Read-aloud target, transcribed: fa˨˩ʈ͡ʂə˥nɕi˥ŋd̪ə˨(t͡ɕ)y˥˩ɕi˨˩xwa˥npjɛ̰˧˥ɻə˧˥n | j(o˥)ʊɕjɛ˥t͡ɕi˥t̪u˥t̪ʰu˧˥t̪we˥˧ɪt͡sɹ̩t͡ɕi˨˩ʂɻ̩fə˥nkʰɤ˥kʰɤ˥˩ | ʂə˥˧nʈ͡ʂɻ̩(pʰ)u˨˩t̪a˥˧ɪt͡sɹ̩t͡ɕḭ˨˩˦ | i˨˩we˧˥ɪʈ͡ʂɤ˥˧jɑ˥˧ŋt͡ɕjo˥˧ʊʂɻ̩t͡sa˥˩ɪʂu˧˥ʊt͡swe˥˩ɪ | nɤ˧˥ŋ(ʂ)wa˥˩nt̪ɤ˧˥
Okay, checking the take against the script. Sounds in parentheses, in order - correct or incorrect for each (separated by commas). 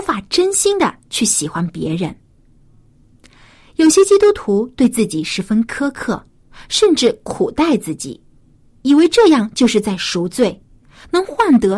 incorrect, incorrect, incorrect, incorrect